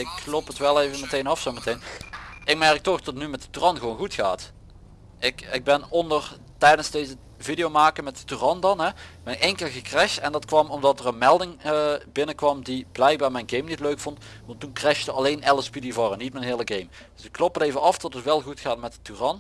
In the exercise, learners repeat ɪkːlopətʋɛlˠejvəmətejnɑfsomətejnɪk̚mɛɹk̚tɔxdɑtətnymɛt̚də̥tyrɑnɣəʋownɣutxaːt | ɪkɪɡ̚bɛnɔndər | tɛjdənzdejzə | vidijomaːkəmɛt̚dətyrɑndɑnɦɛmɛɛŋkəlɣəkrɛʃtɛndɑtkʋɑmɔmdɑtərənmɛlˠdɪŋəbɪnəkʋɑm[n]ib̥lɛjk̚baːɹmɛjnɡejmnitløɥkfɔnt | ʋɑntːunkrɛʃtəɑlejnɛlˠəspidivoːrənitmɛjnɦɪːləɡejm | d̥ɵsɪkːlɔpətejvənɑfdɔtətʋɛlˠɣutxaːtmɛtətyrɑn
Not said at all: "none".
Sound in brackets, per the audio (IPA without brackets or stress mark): d